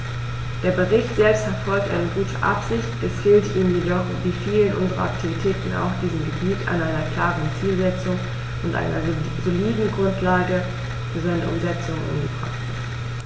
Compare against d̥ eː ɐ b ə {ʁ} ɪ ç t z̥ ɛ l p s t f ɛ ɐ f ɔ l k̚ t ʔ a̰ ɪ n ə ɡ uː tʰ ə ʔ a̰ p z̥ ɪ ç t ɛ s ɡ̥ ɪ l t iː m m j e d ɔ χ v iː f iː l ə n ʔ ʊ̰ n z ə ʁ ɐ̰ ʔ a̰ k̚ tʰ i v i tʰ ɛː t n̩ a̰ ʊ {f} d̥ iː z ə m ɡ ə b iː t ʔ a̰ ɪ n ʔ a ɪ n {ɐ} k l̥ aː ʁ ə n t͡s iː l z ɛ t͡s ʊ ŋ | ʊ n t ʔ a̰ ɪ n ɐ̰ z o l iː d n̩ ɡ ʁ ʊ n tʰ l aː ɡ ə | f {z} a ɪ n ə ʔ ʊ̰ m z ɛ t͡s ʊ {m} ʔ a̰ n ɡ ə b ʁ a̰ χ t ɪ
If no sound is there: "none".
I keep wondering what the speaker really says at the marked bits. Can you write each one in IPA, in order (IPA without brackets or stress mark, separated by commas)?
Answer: ʁ, x, ɐ, z, ŋ